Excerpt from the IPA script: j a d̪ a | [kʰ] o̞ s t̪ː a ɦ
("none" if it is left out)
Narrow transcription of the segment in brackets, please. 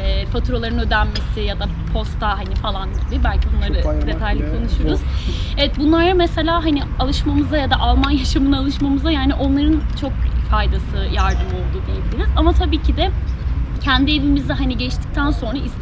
pʰ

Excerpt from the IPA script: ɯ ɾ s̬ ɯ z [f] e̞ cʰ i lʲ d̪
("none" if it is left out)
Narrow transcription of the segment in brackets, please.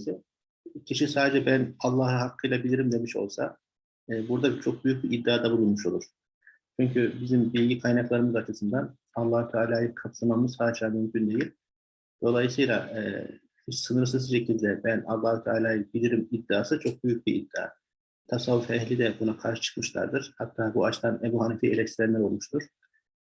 ʃ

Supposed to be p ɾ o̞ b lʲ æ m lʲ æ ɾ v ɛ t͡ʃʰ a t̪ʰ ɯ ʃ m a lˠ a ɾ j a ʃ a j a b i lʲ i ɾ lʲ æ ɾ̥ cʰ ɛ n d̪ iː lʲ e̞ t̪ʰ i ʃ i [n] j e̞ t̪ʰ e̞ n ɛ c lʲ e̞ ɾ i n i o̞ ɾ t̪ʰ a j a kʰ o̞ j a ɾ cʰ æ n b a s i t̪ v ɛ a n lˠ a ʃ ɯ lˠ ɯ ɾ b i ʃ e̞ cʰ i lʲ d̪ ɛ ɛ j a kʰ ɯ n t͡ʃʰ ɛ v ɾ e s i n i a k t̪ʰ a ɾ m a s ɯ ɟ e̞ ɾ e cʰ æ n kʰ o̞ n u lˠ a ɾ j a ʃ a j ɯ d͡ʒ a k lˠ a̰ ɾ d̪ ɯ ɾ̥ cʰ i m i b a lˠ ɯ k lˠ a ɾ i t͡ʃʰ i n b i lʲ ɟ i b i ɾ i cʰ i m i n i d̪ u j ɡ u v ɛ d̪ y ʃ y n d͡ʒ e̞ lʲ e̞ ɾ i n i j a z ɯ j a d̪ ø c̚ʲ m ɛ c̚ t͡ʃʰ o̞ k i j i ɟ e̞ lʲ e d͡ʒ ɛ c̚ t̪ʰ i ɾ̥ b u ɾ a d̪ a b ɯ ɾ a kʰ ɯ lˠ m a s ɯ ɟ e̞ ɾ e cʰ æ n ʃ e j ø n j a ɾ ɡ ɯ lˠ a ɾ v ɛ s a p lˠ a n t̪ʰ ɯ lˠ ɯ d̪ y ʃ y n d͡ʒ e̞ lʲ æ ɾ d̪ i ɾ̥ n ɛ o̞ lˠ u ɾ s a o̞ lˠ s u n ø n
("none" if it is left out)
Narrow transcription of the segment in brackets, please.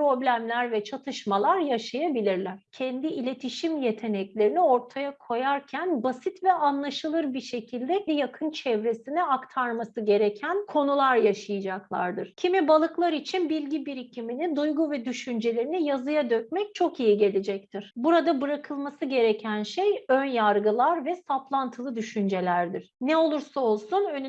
m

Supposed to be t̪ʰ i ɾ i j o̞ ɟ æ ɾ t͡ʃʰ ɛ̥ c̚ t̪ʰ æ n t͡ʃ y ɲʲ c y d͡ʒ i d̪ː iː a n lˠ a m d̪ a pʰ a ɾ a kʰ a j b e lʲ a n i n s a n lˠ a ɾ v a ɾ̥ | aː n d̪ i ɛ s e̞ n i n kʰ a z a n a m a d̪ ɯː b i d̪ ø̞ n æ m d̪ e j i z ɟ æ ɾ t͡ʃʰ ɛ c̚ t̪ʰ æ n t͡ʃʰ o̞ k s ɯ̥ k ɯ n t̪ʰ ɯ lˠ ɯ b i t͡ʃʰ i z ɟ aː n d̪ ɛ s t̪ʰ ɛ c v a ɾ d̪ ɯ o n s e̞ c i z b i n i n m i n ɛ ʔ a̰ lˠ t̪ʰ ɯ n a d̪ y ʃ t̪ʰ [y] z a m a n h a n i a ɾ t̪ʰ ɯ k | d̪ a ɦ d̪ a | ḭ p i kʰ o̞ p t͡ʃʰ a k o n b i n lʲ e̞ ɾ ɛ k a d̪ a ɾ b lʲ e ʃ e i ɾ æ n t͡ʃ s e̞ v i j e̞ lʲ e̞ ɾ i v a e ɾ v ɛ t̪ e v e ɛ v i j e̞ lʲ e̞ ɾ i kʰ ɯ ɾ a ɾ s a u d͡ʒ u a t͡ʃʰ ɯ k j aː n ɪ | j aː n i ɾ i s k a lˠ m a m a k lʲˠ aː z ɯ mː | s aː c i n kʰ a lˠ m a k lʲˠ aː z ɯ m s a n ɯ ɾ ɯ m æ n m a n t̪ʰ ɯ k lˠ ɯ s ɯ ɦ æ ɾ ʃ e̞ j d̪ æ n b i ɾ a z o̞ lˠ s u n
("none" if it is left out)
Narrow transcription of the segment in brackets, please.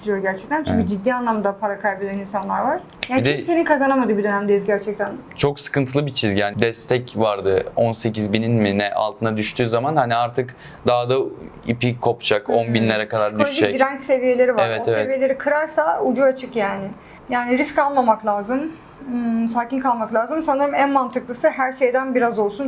yː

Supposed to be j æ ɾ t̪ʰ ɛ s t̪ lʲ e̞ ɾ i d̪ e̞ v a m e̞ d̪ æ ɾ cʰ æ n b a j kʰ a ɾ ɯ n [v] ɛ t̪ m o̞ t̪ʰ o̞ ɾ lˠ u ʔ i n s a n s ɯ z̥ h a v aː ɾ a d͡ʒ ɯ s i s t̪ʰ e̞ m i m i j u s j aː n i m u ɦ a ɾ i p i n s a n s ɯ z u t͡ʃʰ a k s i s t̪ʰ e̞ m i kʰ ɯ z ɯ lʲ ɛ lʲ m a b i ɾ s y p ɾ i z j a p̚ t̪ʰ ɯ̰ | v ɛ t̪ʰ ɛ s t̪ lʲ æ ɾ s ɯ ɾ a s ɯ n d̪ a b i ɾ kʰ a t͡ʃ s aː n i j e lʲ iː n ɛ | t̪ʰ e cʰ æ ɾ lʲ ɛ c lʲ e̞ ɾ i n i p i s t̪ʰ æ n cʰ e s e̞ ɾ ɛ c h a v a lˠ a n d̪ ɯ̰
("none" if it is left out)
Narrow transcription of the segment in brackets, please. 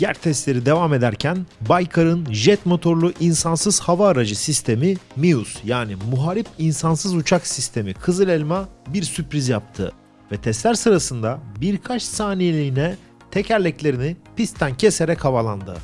ʒ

